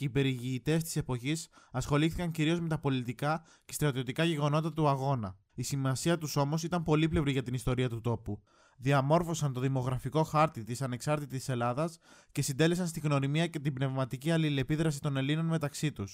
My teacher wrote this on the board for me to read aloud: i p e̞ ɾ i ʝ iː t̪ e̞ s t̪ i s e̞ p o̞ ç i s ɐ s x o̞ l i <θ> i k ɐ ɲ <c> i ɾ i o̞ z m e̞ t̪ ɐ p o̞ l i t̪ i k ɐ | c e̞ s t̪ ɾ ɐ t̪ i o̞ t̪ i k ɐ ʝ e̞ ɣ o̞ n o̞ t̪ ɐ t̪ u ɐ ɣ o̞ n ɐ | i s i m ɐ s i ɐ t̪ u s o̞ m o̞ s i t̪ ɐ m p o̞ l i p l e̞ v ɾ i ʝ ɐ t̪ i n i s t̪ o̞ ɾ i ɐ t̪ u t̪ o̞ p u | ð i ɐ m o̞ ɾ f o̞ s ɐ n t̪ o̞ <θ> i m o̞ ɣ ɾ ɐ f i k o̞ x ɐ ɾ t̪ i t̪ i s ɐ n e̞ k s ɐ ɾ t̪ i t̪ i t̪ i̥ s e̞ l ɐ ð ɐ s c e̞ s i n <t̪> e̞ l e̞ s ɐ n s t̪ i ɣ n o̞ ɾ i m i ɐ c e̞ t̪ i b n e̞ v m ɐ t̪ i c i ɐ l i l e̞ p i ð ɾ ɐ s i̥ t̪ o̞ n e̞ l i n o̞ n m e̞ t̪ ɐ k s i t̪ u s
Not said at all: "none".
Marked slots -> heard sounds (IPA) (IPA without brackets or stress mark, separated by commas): θ, c, ð, d̪